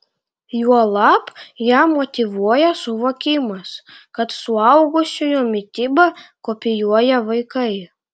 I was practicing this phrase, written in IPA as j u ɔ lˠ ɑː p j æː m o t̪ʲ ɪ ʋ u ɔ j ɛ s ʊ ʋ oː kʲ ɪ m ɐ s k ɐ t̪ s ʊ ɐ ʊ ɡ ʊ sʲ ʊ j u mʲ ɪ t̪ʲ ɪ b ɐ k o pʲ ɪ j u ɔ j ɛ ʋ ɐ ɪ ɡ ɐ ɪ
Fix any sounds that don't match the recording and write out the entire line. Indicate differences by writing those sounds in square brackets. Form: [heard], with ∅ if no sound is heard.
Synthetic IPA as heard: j u ɔ lˠ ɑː p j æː m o t̪ʲ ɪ ʋ u ɔ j ɛ s ʊ ʋ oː kʲ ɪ m ɐ s k ɐ t̪ s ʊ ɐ ʊ ɡ ʊ sʲ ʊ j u mʲ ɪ t̪ʲ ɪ b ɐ k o pʲ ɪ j u ɔ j ɛ ʋ ɐ ɪ [k] ɐ ɪ